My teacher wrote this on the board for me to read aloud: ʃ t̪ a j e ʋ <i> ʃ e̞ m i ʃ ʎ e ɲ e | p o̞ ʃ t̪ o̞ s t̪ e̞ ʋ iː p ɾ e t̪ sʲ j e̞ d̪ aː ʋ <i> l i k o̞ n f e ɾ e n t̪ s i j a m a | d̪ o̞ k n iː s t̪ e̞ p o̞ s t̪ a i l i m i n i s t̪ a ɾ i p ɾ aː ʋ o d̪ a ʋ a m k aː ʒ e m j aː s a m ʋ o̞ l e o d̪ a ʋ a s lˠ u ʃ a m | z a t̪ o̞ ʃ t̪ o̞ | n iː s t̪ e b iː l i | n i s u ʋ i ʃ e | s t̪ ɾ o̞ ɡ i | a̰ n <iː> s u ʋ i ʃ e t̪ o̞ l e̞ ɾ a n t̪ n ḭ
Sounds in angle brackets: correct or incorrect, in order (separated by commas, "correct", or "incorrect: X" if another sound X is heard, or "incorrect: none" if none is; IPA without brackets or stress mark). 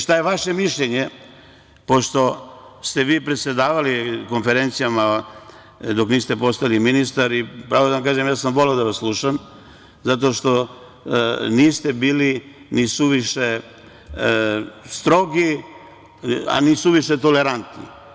incorrect: a, incorrect: a, incorrect: i